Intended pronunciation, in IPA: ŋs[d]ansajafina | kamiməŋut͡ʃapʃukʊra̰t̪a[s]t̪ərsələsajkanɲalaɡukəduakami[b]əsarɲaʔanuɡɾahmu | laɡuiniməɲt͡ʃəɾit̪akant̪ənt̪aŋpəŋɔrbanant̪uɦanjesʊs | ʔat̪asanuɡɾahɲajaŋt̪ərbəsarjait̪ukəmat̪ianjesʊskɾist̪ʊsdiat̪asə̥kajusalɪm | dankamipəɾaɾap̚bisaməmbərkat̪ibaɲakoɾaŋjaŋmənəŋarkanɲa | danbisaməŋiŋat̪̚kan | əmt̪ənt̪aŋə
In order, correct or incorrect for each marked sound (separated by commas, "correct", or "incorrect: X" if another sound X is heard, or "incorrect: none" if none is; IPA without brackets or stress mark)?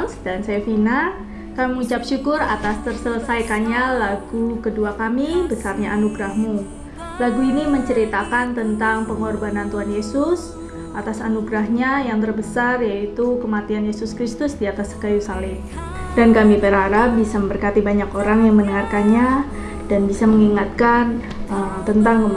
correct, correct, correct